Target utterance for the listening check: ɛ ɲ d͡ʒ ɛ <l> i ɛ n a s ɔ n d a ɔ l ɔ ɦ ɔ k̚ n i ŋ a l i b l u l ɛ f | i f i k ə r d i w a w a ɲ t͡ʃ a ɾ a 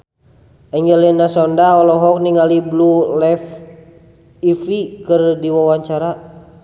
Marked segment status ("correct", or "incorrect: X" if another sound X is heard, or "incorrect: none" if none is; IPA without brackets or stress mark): correct